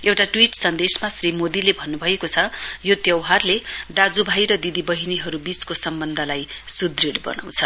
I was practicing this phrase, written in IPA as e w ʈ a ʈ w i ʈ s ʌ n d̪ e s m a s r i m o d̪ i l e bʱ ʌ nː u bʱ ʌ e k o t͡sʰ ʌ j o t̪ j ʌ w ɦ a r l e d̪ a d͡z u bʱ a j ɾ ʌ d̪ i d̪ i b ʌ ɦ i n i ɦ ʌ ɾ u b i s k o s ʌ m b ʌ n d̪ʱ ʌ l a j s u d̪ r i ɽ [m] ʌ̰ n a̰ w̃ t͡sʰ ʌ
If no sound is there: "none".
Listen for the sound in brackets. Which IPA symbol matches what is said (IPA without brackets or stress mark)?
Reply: b